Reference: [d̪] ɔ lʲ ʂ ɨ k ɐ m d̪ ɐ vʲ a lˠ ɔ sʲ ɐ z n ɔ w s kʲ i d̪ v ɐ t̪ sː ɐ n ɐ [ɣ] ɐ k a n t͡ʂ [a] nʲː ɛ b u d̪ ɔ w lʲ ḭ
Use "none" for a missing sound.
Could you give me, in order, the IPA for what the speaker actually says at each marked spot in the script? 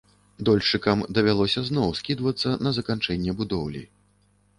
d̪, z, ɛ

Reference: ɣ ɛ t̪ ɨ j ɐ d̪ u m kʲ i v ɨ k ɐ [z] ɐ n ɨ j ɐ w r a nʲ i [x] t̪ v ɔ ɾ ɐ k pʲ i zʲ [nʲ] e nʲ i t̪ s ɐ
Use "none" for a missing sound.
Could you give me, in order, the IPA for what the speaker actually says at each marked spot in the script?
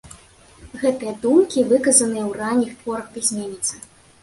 z, x, mʲ

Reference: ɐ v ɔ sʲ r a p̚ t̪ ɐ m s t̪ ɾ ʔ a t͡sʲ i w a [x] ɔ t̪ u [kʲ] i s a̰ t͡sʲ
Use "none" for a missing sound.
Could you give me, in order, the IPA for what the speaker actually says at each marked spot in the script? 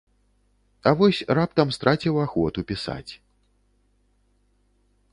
x, pʲ

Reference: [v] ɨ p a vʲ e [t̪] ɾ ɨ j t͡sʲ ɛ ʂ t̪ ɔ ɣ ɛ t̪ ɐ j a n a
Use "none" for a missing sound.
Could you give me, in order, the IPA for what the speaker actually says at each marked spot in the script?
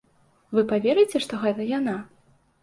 v, none

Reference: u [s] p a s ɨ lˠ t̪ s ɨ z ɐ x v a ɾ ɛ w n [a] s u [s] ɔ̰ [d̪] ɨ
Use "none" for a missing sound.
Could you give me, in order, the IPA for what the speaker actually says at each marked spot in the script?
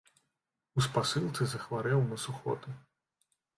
s, ɐ, x, t̪

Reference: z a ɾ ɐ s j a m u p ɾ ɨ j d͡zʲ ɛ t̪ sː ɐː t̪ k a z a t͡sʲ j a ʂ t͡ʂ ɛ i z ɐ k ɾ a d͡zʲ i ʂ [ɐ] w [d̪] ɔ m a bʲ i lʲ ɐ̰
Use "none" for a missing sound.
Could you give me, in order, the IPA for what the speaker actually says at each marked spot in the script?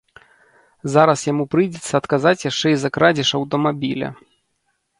ɐ, t̪

